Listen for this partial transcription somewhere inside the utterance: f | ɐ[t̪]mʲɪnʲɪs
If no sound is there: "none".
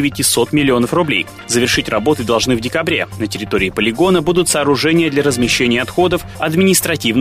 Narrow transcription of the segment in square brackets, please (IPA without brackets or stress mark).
d̪